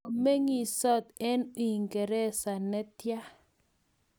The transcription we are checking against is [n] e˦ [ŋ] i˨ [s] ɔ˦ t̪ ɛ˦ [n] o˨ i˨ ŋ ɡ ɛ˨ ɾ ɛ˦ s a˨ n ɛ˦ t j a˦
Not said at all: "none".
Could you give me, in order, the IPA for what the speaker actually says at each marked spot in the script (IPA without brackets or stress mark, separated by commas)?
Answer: m, ŋ, s, n